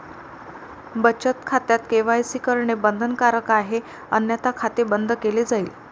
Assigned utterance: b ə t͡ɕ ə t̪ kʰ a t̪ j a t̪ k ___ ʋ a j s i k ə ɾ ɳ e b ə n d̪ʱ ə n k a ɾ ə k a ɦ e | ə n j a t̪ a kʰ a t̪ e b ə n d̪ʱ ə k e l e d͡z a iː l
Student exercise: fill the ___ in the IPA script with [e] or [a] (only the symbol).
e